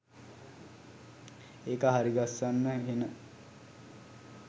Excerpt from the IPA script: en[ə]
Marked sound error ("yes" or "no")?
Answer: no